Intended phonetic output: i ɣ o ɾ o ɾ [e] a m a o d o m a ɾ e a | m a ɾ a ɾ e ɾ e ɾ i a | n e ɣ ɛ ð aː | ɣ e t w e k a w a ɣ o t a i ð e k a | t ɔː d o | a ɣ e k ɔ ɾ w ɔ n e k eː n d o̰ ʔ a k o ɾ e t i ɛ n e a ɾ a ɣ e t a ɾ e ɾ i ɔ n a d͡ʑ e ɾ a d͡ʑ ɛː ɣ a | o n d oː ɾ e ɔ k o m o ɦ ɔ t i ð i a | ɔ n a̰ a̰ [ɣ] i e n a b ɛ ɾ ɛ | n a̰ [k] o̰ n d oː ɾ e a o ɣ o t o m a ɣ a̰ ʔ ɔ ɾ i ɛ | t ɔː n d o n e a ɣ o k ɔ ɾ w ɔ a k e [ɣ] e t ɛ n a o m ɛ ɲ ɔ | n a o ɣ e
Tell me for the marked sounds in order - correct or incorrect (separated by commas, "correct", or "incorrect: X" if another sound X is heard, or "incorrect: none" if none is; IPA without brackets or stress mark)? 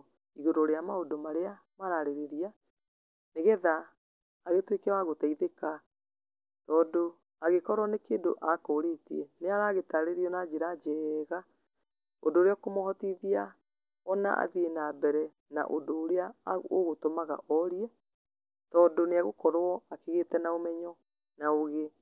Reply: correct, incorrect: ð, incorrect: ʔ, correct